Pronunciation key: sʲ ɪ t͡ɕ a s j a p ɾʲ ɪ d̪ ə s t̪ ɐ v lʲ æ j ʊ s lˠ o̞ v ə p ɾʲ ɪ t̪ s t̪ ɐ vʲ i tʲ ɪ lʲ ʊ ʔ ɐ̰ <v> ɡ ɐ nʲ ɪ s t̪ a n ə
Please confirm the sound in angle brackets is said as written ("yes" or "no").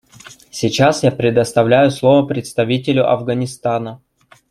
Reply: yes